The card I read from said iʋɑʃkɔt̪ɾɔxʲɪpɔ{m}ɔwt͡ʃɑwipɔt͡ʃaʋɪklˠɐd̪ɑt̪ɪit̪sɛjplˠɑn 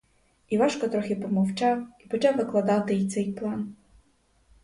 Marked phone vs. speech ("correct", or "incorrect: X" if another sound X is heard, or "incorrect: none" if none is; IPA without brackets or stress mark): correct